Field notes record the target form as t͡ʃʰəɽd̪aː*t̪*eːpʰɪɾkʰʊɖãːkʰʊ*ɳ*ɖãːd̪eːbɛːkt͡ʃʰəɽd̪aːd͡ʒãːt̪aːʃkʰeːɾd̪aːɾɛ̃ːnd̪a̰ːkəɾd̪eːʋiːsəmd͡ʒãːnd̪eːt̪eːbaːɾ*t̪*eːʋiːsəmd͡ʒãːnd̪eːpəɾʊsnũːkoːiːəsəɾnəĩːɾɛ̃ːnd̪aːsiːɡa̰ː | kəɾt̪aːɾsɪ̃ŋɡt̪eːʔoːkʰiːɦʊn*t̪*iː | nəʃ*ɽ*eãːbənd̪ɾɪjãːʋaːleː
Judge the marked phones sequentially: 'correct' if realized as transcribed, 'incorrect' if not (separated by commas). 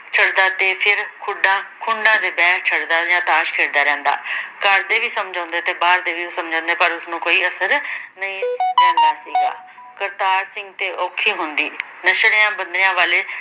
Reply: correct, correct, incorrect, incorrect, correct